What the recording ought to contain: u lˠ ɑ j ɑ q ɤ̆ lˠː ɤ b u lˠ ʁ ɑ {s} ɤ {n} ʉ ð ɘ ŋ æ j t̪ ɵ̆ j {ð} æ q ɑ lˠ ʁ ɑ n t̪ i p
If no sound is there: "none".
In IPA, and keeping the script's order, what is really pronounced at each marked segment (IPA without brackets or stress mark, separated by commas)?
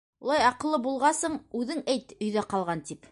s, ɴ, ð